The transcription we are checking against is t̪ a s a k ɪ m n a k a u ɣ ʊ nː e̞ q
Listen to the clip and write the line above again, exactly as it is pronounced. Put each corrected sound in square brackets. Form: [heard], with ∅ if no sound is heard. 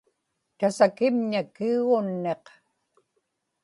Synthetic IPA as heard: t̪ a s a k ɪ m [ɲ] a k [i] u ɣ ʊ nː e̞ q